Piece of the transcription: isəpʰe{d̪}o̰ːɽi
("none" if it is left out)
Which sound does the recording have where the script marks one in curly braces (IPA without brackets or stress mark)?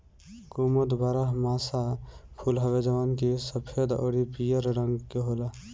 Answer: d̪